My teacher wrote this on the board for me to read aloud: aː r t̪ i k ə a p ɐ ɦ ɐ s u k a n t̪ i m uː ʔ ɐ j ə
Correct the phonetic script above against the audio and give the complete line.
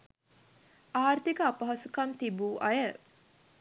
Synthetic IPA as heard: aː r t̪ i k ə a p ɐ ɦ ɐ s u k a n t̪ i b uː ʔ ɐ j ə